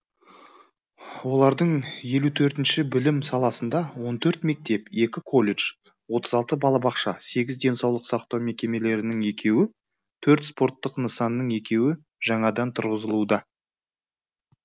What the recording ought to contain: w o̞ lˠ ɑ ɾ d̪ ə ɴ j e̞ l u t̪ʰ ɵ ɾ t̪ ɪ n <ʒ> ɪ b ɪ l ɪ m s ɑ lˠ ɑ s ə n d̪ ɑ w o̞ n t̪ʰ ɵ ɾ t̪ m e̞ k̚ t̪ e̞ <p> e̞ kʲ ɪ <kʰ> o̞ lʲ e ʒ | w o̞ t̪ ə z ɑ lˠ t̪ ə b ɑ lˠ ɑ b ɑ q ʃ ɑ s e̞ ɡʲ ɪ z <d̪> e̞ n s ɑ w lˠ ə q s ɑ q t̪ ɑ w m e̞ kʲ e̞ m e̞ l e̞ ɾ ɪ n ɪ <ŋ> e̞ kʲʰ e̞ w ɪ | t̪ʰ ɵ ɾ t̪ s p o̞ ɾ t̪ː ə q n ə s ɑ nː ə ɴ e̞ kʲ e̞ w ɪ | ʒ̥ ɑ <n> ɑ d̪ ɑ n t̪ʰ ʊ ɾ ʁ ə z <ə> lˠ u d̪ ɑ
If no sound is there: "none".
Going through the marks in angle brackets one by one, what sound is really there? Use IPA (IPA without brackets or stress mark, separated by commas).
ʃ, p, kʰ, d̪, ŋ, ɴ, ə